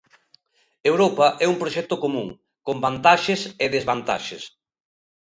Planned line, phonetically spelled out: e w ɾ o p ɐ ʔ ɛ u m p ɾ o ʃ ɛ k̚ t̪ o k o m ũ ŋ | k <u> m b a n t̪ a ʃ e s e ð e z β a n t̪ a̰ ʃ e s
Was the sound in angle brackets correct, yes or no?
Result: no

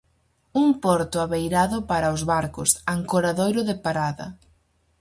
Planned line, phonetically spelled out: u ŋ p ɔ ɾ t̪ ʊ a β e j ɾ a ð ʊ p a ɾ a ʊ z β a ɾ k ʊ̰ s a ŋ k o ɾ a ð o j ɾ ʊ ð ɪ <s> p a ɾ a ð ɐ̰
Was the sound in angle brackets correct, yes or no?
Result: no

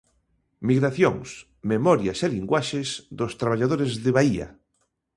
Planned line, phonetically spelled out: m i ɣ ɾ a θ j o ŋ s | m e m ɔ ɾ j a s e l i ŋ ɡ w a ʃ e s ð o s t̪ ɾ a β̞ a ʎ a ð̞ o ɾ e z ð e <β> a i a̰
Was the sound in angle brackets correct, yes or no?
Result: yes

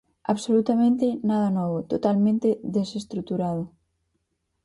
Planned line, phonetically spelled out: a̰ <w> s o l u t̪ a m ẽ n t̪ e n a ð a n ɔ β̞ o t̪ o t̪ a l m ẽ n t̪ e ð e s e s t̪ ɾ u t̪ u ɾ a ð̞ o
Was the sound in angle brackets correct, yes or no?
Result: no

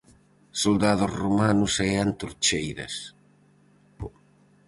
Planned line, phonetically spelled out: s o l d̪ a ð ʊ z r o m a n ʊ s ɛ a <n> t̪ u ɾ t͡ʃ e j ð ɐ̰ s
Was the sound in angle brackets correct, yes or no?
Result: yes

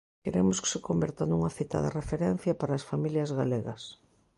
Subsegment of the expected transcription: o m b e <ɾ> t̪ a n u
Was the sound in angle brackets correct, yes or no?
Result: yes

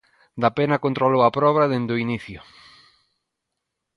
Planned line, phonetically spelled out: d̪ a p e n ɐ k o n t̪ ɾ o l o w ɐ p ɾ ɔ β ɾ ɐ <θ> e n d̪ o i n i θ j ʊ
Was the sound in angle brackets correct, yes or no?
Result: no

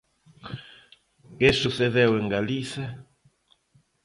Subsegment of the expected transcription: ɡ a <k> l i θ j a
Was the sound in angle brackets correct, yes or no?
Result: no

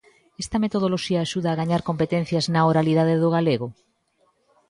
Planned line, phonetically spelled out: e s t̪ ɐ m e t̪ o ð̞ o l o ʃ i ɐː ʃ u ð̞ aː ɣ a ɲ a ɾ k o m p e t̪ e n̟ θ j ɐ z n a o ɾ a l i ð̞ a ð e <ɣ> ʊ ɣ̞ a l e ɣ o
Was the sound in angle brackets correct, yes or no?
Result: no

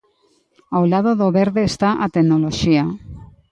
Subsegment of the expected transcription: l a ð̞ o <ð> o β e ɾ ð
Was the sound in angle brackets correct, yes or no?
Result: yes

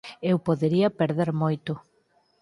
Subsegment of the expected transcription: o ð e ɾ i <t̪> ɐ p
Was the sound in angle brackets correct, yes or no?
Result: no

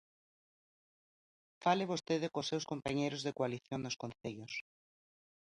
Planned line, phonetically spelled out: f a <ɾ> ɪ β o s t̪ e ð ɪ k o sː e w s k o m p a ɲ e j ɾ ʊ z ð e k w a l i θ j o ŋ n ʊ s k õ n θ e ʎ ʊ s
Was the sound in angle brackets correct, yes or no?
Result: no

